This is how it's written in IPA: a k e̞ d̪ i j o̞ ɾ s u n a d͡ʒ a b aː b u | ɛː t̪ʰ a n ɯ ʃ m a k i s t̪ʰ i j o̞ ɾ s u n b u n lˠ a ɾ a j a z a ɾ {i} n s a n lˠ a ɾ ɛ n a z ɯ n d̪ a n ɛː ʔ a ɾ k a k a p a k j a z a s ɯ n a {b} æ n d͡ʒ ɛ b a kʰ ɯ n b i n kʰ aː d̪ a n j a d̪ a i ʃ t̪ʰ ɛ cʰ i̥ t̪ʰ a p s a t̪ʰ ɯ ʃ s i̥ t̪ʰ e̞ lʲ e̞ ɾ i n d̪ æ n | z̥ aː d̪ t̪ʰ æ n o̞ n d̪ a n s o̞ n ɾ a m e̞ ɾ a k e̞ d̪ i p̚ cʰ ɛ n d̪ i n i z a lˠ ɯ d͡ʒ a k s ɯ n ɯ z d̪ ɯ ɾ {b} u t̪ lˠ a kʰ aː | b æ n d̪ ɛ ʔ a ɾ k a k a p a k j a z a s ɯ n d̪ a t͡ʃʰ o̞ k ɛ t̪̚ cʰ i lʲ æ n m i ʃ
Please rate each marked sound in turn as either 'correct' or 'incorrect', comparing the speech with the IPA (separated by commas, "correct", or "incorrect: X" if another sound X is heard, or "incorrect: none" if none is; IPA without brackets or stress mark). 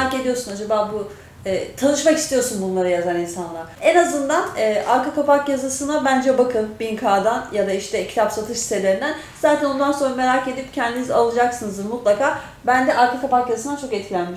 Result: correct, correct, incorrect: m